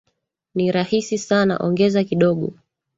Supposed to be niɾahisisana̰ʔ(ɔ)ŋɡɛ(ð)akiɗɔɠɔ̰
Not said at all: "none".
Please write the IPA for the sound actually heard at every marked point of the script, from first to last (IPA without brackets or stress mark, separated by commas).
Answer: ɔ, z